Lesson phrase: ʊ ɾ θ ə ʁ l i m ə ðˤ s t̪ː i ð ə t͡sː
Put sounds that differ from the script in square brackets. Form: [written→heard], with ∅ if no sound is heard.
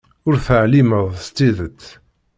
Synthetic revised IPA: ʊ ɾ θ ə [ʁ→ʕ] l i m ə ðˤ s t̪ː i ð ə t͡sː